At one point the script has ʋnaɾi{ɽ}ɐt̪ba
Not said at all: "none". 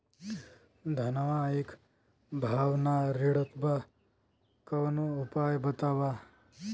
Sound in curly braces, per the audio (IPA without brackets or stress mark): ɽ